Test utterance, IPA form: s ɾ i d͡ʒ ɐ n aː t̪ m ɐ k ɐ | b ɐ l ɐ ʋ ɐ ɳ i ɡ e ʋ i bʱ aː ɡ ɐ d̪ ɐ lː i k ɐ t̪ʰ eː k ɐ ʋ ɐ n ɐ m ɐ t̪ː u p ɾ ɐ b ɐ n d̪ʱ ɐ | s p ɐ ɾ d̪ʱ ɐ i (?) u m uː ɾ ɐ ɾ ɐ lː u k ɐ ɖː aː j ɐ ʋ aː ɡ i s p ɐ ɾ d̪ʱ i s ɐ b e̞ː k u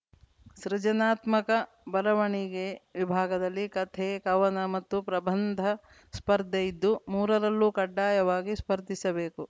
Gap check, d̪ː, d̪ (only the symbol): d̪ː